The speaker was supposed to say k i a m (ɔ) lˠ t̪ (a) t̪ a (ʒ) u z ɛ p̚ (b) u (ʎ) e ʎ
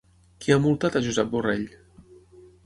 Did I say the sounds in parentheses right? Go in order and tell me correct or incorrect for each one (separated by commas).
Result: incorrect, correct, correct, correct, incorrect